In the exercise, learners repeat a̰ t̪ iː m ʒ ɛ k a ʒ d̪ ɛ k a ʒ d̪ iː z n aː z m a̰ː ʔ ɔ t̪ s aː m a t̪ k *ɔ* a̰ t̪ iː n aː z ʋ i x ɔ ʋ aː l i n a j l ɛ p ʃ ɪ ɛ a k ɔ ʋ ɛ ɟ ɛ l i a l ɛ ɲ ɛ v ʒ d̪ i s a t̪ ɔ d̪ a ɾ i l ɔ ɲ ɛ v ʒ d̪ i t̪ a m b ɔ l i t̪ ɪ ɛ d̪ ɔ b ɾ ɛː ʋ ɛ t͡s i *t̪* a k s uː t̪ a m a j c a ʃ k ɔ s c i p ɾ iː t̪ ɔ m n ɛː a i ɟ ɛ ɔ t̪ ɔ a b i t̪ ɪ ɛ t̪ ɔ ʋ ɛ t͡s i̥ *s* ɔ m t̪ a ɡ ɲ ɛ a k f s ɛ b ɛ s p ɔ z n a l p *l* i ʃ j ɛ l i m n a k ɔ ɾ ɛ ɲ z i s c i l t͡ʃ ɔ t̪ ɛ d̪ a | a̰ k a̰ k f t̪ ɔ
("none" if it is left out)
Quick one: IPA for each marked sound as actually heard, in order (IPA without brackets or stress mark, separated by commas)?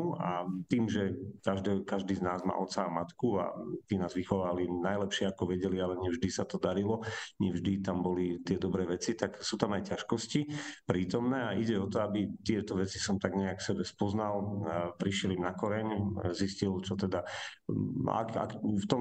u, t̪, s, ɾ